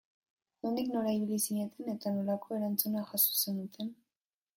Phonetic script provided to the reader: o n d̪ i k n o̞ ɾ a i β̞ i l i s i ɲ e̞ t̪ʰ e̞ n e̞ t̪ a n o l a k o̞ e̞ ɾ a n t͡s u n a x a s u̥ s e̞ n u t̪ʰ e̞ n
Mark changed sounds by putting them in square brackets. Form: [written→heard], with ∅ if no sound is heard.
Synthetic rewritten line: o n d̪ i k n o̞ ɾ a i β̞ i l i s i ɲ e̞ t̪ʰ e̞ n e̞ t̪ a n o l a k o̞ e̞ ɾ a n t͡s u n a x a s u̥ s e̞ n u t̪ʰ e̞ n